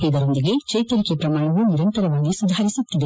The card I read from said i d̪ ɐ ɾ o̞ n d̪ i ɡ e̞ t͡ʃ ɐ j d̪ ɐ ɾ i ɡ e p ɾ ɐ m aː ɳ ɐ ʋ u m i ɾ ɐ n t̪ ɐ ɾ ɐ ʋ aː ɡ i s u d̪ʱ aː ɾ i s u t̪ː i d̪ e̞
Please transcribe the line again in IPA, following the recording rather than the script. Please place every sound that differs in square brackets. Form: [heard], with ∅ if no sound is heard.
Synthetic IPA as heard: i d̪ ɐ ɾ o̞ n d̪ i ɡ e̞ t͡ʃ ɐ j [t̪] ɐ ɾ i [k] e p ɾ ɐ m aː ɳ ɐ ʋ u [n] i ɾ ɐ n t̪ ɐ ɾ ɐ ʋ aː ɡ i s u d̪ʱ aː ɾ i s u t̪ː i d̪ e̞